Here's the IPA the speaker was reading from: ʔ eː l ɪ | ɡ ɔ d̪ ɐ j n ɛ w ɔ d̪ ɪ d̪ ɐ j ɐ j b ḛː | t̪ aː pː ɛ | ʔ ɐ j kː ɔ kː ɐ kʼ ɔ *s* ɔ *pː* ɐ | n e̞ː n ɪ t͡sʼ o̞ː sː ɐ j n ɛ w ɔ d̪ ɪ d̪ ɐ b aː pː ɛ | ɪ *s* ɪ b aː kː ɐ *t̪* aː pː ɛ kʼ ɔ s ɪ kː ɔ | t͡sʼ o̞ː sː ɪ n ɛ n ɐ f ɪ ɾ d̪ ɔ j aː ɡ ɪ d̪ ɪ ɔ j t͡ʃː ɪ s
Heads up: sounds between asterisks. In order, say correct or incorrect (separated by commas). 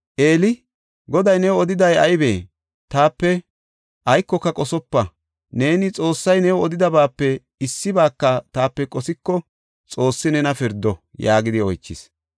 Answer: correct, correct, incorrect, correct